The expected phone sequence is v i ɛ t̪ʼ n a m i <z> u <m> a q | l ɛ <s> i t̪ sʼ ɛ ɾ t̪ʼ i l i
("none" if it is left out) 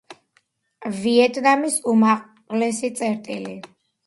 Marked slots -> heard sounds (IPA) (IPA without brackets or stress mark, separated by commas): s, m, s